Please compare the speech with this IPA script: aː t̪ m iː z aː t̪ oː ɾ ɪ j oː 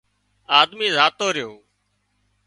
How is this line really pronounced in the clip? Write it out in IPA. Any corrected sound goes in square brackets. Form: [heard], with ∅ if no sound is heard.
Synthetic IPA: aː [d̪] m iː z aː t̪ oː ɾ ɪ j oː